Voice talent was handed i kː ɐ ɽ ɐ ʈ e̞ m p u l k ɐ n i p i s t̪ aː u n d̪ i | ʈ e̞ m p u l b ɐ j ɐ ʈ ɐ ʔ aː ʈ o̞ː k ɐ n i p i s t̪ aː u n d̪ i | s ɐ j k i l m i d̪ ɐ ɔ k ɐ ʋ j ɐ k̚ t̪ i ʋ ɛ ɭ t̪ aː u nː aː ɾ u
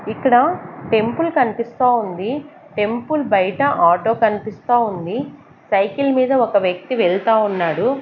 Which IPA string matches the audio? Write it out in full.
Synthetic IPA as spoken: i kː ɐ ɽ ɐ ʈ e̞ m p u l k ɐ n i p i s t̪ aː u n d̪ i | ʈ e̞ m p u l b ɐ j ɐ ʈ ɐ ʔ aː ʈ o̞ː k ɐ n i p i s t̪ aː u n d̪ i | s ɐ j k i l m iː d̪ ɐ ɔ k ɐ ʋ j ɐ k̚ t̪ i ʋ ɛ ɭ t̪ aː u nː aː ɽ u